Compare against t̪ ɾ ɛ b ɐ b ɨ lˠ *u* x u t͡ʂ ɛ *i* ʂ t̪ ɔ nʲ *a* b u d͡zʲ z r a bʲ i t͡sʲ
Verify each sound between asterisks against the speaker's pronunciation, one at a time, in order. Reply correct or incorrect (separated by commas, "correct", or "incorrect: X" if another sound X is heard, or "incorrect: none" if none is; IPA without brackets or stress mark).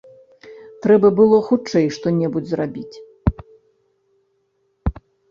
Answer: incorrect: ɔ, incorrect: j, incorrect: ɛ